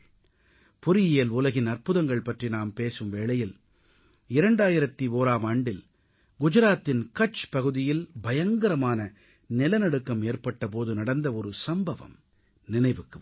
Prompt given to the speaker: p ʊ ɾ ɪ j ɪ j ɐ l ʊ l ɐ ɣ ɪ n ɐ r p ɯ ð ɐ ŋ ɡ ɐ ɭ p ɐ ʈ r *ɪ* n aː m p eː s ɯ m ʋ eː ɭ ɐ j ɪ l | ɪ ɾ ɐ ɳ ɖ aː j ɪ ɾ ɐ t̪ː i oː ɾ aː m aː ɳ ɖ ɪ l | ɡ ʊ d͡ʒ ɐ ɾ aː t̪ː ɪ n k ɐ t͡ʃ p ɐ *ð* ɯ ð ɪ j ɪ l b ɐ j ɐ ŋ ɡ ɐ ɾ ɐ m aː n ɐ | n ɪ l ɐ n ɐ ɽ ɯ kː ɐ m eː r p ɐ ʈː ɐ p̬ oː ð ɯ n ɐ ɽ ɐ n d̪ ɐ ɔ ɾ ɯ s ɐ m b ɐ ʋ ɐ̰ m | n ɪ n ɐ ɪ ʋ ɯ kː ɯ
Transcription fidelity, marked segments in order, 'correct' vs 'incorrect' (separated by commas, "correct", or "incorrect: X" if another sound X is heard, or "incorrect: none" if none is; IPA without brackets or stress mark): incorrect: i, incorrect: ɣ